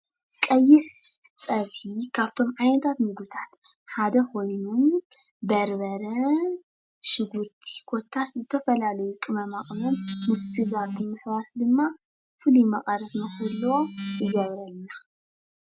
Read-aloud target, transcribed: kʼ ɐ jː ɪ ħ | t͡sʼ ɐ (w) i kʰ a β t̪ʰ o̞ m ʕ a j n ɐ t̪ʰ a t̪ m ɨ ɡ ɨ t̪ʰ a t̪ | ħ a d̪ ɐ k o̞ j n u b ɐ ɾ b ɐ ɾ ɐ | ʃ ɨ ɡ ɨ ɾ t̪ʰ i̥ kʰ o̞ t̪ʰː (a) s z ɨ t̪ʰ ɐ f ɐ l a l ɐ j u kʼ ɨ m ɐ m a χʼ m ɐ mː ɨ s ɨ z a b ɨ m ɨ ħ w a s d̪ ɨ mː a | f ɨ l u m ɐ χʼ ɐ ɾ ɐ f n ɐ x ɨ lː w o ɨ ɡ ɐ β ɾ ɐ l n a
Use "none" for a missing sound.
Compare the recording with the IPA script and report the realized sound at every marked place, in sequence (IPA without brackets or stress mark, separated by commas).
β, a